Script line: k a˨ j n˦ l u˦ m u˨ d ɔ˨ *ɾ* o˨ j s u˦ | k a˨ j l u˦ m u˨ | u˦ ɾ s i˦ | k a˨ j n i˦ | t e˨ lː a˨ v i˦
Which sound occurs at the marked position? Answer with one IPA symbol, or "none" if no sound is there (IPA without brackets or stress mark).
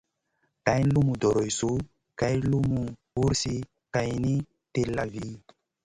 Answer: ɾ